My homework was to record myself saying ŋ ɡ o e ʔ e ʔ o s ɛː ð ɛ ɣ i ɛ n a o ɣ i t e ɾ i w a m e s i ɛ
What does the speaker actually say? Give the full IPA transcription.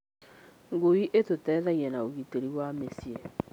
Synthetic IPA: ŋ ɡ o i ʔ e t o t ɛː ð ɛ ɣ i ɛ n a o ɣ i t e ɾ i w a m e s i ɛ